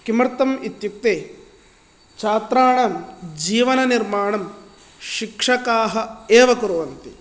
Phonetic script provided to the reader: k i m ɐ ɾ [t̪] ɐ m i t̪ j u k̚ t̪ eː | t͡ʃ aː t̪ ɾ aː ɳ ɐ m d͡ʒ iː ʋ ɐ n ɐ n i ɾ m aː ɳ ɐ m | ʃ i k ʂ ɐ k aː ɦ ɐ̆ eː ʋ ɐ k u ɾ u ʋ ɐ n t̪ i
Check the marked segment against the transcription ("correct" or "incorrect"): correct